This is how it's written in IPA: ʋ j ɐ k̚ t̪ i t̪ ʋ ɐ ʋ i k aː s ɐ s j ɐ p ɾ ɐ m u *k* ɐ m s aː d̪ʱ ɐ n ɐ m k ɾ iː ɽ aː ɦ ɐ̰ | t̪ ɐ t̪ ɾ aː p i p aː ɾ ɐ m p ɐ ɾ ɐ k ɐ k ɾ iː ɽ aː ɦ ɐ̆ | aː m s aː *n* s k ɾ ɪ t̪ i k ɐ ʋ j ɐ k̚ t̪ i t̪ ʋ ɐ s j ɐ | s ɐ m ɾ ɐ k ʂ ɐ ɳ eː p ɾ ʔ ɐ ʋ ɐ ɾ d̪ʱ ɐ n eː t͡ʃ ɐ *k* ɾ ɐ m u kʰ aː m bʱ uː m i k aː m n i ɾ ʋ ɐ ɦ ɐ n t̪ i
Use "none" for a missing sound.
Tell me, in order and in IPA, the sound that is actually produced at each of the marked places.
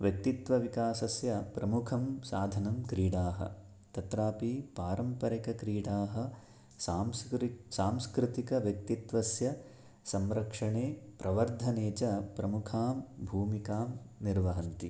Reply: kʰ, m, p

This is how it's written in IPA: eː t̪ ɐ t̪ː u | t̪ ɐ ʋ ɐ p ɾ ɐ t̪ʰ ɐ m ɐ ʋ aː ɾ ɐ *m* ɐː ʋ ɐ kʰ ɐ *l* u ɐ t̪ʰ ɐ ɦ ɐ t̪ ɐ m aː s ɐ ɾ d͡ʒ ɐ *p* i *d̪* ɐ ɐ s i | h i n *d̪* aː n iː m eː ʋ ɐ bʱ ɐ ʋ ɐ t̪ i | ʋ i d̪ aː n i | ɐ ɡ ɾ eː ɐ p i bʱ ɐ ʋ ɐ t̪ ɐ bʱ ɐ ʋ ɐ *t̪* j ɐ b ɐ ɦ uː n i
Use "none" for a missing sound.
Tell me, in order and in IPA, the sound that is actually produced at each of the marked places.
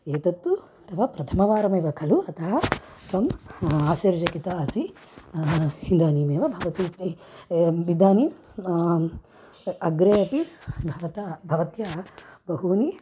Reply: m, l, k, t̪, d̪, t̪

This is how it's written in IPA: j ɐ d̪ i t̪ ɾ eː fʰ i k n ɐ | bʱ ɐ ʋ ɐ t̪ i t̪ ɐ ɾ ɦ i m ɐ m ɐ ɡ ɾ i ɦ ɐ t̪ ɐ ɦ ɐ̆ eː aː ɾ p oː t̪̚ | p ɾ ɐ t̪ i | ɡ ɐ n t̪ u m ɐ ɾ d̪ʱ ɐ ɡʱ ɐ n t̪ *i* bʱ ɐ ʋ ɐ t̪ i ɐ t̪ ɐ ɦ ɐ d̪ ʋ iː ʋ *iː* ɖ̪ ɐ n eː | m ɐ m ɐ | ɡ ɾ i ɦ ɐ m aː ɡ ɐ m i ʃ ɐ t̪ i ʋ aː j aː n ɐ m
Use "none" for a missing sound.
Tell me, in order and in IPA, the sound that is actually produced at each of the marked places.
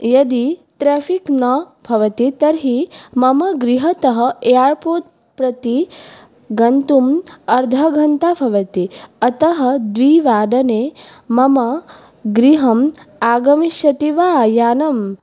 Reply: a, aː

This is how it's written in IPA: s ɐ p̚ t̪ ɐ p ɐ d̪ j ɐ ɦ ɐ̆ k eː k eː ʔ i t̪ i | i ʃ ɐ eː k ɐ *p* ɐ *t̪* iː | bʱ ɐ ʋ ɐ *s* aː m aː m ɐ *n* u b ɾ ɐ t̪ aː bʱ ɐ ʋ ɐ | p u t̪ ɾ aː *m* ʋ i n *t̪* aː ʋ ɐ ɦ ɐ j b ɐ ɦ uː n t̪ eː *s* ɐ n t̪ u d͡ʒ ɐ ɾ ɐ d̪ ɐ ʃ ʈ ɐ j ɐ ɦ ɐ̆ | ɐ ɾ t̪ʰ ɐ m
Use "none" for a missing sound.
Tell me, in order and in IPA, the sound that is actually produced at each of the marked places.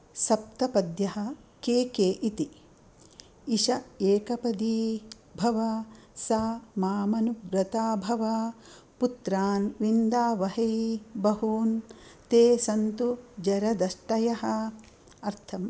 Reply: p, d̪, s, n, n, d̪, s

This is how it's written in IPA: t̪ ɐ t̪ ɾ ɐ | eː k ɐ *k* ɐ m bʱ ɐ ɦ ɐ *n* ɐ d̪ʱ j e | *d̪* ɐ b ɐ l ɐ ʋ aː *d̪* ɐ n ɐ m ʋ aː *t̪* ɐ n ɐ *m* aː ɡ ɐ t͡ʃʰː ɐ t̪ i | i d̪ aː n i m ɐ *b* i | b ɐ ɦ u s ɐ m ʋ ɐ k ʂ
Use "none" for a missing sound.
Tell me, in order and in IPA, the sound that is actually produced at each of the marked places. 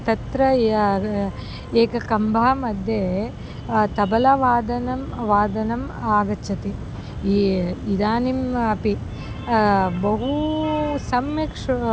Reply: k, m, t̪, d̪, d̪, m, p

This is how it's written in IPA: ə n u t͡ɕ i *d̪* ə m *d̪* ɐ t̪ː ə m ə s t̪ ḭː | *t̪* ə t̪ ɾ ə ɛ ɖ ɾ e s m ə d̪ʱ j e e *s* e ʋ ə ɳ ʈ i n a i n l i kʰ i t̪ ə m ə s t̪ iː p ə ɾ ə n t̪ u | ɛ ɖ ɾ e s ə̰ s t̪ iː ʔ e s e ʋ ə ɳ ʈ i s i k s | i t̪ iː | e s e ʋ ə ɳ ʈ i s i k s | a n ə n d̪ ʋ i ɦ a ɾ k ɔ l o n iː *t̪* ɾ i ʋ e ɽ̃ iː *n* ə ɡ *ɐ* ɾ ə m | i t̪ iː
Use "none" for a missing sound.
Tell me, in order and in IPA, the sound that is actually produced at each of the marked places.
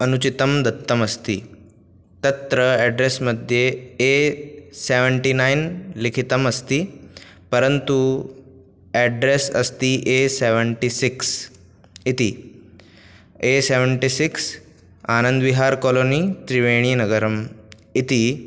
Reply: t̪, d̪, t̪, s, t̪, n, ə

